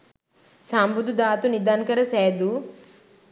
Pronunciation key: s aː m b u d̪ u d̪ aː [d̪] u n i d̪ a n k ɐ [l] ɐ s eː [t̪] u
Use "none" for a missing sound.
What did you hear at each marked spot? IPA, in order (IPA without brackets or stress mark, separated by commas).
t̪, ɾ, d̪